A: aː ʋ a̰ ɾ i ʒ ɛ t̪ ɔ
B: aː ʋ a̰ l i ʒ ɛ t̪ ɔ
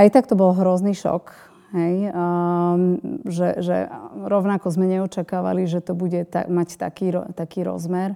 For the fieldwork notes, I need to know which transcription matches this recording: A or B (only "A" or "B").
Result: B